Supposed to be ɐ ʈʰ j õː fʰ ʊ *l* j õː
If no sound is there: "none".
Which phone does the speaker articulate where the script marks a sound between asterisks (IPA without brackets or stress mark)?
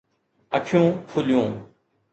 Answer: l